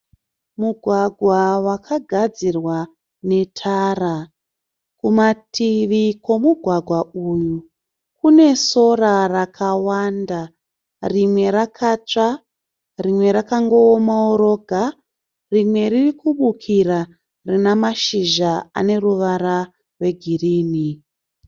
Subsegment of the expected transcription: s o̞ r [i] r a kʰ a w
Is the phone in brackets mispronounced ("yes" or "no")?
yes